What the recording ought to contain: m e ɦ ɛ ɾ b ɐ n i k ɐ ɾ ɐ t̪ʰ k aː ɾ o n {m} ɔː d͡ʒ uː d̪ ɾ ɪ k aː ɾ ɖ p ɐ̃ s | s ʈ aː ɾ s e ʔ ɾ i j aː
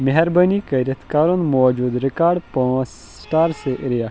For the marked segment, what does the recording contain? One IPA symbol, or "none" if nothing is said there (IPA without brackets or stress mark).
m